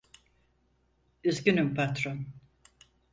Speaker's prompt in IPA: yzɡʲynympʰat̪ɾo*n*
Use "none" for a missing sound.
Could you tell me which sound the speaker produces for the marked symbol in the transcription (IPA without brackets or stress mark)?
n